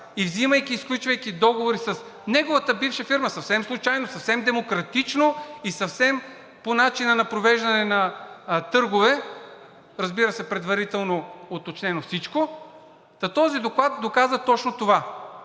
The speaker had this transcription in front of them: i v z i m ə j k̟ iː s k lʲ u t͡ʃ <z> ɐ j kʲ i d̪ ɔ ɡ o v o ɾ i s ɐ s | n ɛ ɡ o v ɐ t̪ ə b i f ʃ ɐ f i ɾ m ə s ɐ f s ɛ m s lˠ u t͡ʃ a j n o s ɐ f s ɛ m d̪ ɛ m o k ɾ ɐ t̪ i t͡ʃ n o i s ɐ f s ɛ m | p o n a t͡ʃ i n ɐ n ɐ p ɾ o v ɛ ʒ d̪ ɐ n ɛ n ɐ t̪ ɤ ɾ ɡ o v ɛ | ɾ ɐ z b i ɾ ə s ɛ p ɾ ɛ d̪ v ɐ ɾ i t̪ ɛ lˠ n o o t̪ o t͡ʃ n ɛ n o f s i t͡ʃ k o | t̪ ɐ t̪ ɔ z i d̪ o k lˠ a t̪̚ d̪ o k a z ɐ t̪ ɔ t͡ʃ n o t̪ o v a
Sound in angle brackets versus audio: incorrect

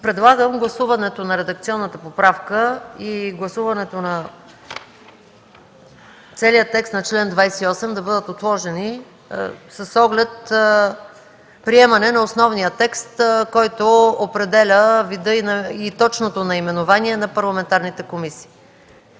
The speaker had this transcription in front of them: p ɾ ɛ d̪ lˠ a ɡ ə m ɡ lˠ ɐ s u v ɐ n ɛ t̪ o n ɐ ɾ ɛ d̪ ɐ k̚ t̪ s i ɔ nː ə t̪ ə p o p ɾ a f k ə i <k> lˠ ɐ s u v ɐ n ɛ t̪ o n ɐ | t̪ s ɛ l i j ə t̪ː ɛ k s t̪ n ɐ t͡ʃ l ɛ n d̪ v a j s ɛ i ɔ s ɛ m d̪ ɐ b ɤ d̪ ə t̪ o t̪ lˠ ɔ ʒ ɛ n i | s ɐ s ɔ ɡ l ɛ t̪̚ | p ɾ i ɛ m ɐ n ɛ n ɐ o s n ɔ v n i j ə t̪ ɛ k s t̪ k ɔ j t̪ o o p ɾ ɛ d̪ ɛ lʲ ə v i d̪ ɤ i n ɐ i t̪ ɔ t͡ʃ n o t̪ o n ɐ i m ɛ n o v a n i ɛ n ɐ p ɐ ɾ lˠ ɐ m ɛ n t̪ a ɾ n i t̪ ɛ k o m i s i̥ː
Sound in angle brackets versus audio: incorrect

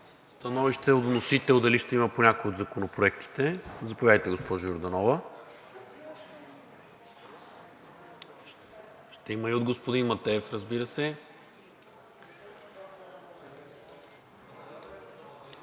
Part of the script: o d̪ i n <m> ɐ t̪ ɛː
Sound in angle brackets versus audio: correct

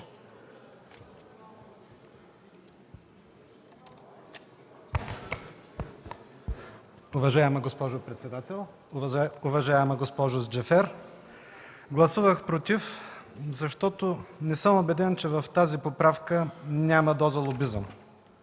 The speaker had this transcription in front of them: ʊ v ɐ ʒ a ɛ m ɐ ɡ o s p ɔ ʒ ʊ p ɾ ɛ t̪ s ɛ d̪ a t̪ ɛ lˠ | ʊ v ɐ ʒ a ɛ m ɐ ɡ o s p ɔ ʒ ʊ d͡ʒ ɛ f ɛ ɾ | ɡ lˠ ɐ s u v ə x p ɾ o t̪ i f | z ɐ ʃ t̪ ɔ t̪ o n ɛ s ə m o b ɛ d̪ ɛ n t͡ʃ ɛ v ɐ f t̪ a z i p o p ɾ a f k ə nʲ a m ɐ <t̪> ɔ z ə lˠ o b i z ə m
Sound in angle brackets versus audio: incorrect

